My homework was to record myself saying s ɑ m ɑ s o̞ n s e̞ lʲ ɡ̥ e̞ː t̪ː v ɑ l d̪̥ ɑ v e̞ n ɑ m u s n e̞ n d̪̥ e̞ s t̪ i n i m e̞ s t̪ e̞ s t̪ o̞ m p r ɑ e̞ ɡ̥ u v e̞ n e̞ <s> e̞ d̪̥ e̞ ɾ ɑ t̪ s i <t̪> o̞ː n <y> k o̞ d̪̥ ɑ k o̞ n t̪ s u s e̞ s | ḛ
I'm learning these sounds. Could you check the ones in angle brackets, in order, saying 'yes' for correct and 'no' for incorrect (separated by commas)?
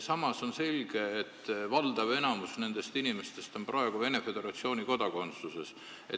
no, no, no